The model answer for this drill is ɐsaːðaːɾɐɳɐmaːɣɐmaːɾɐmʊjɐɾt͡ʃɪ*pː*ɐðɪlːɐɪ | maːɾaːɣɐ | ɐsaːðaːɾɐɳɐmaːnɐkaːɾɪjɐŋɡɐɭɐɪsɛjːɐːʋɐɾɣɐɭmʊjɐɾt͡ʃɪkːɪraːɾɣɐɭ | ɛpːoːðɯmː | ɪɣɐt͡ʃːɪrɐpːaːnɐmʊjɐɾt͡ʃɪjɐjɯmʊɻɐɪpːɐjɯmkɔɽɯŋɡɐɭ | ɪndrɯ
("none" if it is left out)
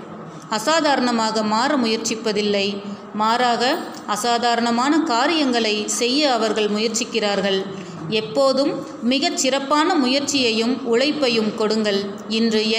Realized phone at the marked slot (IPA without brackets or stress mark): pː